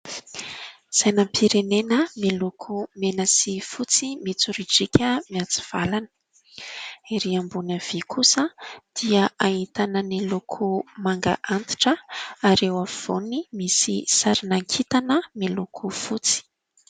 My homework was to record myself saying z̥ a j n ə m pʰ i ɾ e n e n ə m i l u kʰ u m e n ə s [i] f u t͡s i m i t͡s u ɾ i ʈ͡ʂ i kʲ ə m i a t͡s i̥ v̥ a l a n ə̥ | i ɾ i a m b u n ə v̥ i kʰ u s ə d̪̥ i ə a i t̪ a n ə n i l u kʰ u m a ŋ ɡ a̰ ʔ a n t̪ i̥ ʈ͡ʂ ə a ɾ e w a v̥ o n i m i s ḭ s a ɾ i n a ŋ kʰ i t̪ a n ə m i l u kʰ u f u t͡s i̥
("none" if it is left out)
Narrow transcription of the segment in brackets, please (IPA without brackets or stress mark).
i